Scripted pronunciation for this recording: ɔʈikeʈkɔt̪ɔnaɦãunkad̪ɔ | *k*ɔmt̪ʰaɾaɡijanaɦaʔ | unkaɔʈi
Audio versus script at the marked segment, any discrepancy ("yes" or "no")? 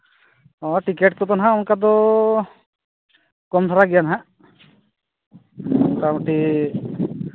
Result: no